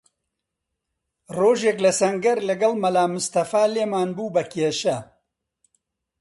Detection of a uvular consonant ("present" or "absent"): absent